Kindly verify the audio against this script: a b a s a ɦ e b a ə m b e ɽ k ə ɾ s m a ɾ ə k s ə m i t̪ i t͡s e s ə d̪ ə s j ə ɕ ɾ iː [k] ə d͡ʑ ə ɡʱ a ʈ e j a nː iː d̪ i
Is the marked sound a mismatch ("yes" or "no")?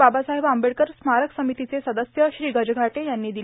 yes